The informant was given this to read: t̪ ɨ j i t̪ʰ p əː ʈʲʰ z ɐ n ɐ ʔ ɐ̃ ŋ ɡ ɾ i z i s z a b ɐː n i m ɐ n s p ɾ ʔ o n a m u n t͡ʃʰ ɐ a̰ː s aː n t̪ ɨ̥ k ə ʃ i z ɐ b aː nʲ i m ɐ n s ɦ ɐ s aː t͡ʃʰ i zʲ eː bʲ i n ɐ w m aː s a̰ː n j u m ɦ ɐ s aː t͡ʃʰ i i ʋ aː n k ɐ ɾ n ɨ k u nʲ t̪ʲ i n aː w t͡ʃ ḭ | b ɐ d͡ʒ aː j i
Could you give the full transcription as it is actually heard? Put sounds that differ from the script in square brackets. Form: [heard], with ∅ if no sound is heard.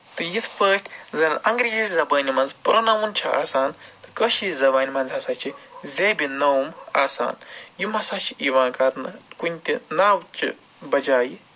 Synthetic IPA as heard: t̪ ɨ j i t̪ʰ p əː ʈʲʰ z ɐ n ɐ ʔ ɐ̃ ŋ ɡ ɾ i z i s z [ɐ] b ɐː n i m ɐ n [z] p ɾ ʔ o n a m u n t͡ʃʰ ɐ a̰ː s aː n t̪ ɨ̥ k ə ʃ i z ɐ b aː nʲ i m ɐ n [z] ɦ ɐ s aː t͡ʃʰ i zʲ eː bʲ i n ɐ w m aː s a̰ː n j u m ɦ ɐ s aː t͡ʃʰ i i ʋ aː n k ɐ ɾ n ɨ k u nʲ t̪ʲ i n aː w t͡ʃ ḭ | b ɐ d͡ʒ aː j i